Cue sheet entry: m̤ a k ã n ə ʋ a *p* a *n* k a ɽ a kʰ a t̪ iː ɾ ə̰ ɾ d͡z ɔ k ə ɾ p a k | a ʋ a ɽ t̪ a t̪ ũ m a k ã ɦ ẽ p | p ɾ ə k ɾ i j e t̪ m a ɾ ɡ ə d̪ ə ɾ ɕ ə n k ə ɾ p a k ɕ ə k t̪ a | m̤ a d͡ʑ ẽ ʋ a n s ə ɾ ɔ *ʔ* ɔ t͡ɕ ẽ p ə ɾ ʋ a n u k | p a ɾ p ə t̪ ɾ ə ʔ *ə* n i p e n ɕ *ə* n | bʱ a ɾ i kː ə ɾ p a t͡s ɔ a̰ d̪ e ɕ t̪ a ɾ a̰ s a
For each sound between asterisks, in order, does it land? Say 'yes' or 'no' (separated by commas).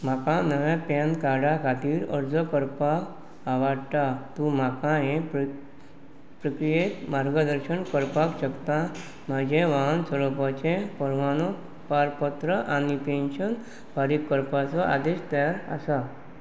yes, yes, no, no, yes